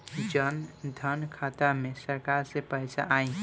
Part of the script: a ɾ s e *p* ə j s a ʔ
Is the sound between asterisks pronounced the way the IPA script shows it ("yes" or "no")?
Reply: yes